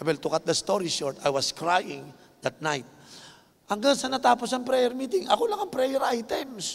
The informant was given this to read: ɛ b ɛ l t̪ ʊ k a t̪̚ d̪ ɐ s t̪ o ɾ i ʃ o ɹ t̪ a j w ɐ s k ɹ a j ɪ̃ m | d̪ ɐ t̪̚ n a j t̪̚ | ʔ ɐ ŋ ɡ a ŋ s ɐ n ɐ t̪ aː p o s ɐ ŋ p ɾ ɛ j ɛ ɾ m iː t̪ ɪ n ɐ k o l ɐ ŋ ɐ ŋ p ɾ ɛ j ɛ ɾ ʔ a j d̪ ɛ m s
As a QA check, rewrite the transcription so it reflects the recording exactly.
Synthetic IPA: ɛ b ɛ l t̪ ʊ k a t̪̚ d̪ ɐ s t̪ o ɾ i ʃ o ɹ t̪ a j w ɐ s k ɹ a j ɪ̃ ŋ | d̪ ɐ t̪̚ n a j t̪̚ | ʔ ɐ ŋ ɡ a ŋ s ɐ n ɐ t̪ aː p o s ɐ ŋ p ɾ ɛ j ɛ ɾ m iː t̪ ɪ ŋ ɐ k o l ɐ ŋ ɐ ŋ p ɾ ɛ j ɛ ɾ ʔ a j t̪ ɛ m s